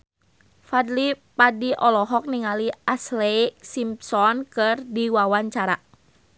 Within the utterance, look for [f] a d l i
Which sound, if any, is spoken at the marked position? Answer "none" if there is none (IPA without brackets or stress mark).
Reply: f